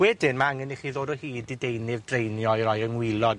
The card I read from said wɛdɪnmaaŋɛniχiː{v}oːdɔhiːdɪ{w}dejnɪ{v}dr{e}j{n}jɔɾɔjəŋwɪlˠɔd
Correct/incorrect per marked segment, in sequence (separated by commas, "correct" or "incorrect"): incorrect, incorrect, correct, correct, correct